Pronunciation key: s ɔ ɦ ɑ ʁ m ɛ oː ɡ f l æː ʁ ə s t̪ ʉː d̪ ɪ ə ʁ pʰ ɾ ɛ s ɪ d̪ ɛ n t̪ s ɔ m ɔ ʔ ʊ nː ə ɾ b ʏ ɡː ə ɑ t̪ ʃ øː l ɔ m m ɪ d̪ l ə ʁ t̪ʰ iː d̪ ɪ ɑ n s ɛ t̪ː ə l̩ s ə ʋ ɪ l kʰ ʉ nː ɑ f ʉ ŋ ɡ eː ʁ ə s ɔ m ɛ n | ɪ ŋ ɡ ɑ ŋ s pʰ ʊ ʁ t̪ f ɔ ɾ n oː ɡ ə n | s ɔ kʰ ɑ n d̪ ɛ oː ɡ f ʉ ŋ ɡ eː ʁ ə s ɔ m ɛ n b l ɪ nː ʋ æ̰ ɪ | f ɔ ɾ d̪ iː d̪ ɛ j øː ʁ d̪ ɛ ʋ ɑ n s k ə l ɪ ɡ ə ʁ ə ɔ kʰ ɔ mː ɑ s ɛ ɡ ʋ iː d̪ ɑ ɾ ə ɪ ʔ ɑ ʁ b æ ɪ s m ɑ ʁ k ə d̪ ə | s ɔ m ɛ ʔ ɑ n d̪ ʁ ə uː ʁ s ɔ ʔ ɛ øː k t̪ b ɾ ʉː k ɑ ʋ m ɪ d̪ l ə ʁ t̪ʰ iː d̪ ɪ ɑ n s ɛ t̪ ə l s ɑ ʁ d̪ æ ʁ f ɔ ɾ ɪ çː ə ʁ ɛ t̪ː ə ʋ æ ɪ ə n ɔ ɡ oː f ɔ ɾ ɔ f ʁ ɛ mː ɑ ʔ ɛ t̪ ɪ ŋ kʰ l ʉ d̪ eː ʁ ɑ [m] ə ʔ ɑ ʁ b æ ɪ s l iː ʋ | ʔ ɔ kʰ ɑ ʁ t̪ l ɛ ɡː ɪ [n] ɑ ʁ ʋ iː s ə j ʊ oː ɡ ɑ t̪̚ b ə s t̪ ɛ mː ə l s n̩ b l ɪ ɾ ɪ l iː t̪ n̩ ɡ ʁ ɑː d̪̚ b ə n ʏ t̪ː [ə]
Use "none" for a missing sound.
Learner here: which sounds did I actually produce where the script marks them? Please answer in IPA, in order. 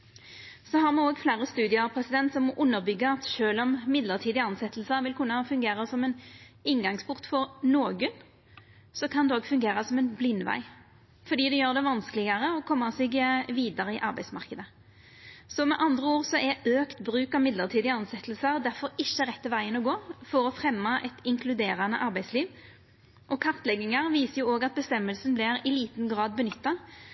n, ŋ, ɑ

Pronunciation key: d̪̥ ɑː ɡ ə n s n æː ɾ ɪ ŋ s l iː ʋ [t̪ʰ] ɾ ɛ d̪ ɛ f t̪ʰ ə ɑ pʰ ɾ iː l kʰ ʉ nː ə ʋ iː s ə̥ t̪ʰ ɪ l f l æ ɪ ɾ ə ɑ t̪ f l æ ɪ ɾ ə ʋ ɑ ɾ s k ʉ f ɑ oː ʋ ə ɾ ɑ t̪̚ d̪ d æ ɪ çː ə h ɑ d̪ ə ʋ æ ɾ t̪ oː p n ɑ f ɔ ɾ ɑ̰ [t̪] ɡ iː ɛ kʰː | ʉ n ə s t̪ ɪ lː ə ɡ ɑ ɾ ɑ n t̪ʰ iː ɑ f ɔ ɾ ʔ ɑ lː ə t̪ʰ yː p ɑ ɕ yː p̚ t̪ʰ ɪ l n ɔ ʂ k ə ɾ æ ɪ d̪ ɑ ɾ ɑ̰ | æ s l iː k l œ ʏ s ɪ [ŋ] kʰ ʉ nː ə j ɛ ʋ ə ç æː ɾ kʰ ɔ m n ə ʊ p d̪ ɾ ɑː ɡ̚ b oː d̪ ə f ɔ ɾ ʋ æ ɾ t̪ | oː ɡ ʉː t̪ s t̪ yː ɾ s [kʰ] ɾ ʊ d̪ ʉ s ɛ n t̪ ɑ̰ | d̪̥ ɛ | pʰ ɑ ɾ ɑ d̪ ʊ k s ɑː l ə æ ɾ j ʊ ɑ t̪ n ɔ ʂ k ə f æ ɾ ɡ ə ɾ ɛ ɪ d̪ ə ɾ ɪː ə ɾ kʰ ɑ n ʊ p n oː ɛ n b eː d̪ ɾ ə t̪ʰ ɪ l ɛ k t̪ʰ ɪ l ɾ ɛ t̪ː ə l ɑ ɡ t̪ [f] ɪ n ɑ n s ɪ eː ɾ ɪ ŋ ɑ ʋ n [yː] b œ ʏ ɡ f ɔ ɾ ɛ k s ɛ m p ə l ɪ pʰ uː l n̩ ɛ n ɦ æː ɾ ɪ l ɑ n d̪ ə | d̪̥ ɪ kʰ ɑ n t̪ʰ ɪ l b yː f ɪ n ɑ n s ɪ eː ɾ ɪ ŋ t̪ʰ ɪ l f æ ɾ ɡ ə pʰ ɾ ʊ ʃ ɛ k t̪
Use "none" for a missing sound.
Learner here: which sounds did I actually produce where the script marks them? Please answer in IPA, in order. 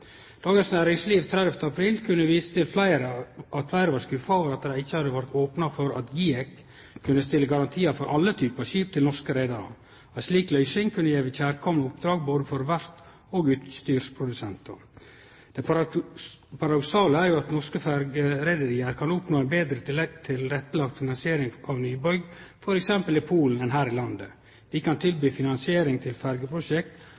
t̪ʰ, t̪, ŋ, pʰ, f, yː

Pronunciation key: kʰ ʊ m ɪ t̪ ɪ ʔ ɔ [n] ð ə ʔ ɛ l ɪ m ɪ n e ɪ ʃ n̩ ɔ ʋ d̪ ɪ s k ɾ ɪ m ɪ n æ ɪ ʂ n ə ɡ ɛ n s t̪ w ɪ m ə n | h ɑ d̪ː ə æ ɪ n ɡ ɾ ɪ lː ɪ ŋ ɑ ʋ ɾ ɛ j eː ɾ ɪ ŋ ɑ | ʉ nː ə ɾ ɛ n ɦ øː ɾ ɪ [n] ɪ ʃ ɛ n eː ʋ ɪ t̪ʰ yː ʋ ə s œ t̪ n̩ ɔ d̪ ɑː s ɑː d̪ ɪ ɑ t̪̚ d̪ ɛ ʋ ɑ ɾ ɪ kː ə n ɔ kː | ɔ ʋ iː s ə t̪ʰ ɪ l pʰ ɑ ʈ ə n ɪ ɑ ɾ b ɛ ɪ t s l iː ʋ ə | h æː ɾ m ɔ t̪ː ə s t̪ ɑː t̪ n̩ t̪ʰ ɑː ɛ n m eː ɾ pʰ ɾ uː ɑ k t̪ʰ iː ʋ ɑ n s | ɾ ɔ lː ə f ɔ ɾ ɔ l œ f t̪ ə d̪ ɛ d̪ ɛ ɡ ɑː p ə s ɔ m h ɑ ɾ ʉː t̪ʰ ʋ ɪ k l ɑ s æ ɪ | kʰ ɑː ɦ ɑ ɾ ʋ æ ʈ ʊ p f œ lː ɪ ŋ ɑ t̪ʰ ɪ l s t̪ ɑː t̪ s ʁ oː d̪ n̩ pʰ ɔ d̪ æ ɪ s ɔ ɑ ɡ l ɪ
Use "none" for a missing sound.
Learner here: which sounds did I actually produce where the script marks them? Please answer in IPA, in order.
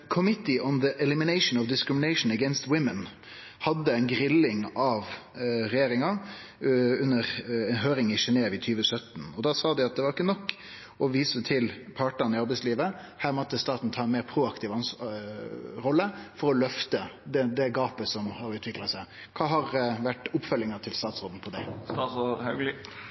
n, ŋ

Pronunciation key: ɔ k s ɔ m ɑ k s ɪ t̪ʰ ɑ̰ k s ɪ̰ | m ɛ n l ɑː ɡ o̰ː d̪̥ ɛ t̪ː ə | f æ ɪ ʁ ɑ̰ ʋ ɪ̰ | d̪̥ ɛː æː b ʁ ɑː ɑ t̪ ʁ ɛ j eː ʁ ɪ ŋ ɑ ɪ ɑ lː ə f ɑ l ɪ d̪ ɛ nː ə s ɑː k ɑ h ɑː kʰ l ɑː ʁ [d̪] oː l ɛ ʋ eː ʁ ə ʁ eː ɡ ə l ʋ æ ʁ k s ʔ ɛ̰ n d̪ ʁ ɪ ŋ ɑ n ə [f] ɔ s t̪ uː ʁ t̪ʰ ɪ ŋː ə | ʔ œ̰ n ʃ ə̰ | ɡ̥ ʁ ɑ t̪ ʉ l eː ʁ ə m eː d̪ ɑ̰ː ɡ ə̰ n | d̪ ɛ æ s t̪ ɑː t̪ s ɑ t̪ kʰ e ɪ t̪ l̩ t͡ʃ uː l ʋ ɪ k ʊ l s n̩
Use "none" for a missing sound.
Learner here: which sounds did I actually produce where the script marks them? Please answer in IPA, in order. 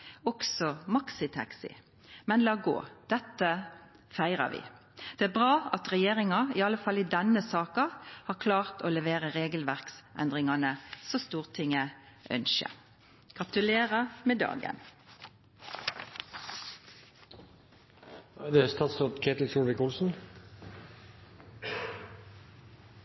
t̪, s

